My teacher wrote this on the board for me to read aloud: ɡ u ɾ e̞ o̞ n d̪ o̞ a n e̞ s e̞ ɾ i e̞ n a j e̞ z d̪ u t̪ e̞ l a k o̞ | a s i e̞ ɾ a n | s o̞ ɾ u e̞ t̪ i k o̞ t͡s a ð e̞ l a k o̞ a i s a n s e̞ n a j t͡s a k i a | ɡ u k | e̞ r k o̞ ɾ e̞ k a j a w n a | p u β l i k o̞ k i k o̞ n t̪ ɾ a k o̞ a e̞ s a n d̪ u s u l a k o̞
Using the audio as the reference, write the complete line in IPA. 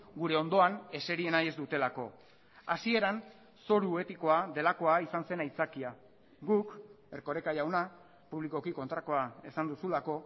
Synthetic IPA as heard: ɡ u ɾ e̞ o̞ n d̪ o̞ a n e̞ s e̞ ɾ i e̞ n a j e̞ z d̪ u t̪ e̞ l a k o̞ | a s i e̞ ɾ a n | s o̞ ɾ u e̞ t̪ i k o̞ a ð e̞ l a k o̞ a i s a n s e̞ n a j t͡s a k i a | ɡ u k | e̞ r k o̞ ɾ e̞ k a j a w n a | p u β l i k o̞ k i k o̞ n t̪ ɾ a k o̞ a e̞ s a n d̪ u s u l a k o̞